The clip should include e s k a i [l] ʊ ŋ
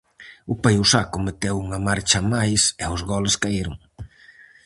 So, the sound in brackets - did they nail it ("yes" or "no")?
no